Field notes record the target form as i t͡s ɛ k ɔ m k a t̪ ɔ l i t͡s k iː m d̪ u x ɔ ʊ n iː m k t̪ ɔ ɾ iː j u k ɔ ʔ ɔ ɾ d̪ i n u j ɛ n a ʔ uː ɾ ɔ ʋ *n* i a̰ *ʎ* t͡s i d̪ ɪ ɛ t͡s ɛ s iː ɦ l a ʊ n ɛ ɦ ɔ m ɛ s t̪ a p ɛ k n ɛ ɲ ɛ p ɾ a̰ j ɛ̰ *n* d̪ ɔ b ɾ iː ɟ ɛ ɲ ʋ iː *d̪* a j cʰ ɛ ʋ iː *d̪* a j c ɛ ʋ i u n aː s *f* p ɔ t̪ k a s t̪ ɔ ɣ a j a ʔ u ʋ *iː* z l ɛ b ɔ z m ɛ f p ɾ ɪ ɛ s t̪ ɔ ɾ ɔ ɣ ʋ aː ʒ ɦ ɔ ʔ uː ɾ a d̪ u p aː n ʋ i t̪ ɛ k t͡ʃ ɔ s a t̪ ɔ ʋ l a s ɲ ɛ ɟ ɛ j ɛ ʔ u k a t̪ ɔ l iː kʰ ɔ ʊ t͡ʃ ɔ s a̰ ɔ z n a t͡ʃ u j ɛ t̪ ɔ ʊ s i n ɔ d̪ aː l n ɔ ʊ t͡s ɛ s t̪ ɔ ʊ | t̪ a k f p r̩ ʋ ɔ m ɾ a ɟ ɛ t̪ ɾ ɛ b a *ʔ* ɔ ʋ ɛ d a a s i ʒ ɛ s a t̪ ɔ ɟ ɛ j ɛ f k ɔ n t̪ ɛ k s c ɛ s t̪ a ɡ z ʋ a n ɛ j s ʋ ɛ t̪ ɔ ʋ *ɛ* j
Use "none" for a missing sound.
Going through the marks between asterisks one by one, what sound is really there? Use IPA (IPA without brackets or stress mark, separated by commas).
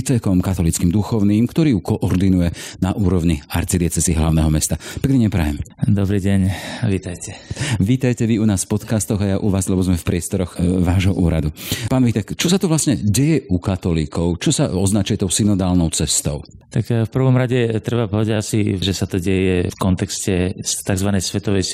ɲ, ɾ, m, t̪, t̪, f, aː, p, ɛ